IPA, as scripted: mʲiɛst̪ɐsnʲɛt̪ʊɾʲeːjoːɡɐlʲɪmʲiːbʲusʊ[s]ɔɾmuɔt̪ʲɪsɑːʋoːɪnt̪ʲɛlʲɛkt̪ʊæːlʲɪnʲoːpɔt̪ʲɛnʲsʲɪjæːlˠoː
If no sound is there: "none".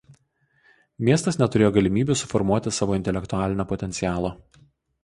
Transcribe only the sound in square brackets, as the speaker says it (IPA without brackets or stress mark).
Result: f